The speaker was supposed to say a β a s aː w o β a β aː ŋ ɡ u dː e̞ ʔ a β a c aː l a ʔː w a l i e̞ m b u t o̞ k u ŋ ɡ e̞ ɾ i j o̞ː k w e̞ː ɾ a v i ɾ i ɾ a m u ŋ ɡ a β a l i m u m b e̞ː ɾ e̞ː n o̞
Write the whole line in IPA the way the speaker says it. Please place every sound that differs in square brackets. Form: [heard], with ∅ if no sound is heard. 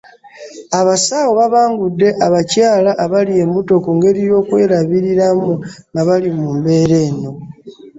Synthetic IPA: a β a s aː w o β a β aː ŋ ɡ u dː e̞ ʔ a β a c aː l a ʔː [β] a l i e̞ m b u t o̞ k u ŋ ɡ e̞ ɾ i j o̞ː k w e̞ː ɾ a [β] i ɾ i ɾ a m u ŋ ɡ a β a l i m u m b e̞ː ɾ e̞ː n o̞